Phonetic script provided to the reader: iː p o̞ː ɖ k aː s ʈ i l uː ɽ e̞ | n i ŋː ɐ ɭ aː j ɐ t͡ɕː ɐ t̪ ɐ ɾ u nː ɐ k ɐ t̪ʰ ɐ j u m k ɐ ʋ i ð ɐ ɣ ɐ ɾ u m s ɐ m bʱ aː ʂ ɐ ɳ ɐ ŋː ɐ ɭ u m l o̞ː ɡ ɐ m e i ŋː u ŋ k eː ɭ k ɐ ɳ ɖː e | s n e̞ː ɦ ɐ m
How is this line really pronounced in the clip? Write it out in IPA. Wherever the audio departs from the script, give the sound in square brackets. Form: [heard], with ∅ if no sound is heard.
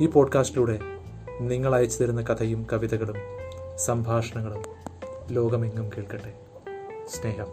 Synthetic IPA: iː p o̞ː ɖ k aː s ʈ i l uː ɽ e̞ | n i ŋː ɐ ɭ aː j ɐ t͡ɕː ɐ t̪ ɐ ɾ u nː ɐ k ɐ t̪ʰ ɐ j u m k ɐ ʋ i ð ɐ ɣ ɐ [ɭ] u m s ɐ m bʱ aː ʂ ɐ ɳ ɐ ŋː ɐ ɭ u m l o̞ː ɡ ɐ m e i ŋː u [m] k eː ɭ k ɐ ɳ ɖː e | s n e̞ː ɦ ɐ m